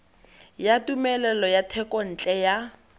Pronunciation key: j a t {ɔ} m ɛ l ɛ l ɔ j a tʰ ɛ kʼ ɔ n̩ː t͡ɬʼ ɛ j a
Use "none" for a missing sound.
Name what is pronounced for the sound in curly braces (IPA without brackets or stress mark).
u